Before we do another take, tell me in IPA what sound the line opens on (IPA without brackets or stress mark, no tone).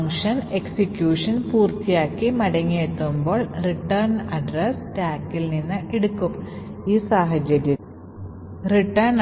ŋ